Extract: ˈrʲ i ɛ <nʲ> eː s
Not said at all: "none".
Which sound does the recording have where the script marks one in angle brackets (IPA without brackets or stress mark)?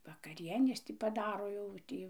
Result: nʲ